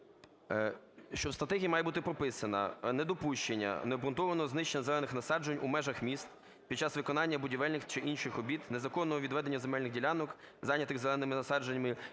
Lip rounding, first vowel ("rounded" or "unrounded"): rounded